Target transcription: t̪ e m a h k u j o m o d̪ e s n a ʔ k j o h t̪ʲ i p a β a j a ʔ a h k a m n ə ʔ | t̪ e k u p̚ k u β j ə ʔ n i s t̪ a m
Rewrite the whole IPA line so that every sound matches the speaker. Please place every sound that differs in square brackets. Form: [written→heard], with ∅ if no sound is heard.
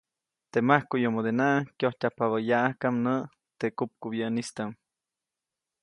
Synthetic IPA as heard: t̪ e m a h k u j o m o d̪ e [s→∅] n a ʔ k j o h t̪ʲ [i→a] p a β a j a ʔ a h k a m n ə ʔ | t̪ e k u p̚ k u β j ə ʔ n i s t̪ a m

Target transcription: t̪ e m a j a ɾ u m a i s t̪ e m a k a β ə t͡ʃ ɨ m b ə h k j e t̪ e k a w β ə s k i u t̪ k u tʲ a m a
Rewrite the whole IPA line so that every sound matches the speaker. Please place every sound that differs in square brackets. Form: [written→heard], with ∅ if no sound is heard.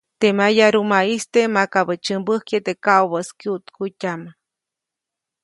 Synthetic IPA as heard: t̪ e m a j a ɾ u m a i s t̪ e m a k a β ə t͡ʃ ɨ m b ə h k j e t̪ e k a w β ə s k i u t̪ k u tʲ a m a

